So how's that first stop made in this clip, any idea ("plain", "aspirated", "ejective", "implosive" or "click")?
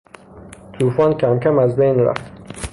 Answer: aspirated